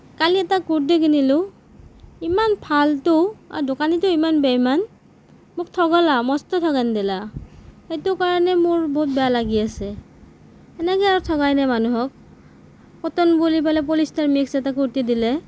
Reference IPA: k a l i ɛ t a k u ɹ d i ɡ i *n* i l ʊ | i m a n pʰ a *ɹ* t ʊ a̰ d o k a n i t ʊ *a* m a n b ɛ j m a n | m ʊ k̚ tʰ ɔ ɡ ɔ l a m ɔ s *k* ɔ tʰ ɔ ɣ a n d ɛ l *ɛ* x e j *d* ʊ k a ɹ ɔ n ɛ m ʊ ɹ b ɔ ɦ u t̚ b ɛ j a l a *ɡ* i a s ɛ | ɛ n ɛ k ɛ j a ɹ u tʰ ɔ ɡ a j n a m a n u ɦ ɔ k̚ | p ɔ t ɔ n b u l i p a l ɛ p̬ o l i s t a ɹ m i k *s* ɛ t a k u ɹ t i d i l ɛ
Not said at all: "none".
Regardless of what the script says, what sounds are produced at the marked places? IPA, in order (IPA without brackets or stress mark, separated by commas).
n, l, i, t, a, t, ɡ, s